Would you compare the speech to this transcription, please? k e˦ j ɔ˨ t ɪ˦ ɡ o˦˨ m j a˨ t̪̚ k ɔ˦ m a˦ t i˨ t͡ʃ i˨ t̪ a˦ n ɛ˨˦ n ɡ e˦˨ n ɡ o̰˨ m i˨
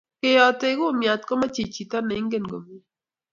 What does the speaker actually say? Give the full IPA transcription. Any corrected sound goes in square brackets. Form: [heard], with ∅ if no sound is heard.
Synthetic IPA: k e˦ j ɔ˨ t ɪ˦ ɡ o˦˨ m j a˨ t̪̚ k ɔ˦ m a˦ [t͡ʃ] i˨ t͡ʃ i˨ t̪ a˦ n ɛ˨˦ [ŋ] ɡ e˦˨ n ɡ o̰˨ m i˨